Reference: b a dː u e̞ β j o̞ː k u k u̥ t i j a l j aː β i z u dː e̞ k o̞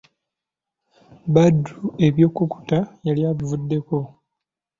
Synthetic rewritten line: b a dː u e̞ β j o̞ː k u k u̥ t a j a l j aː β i v u dː e̞ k o̞